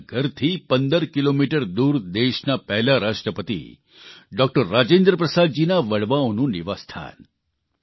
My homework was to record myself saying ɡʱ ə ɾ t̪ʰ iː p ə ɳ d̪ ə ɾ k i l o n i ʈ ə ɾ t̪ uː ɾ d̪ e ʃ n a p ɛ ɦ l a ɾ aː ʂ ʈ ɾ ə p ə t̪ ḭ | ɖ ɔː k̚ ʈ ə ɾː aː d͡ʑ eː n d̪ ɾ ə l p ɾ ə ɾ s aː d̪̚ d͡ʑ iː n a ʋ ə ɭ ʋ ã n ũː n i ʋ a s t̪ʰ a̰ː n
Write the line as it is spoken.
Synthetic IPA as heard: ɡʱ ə ɾ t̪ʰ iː p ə n d̪ ə ɾ k i l o m i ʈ ə ɾ d̪ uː ɾ d̪ e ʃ n a p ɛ ɦ l a ɾ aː ʂ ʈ ɾ ə p ə t̪ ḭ | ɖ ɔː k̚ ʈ ə ɾː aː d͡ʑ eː n d̪ ɾ ə p ɾ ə s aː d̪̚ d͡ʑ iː n a ʋ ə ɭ ʋ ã n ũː n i ʋ a s t̪ʰ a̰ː n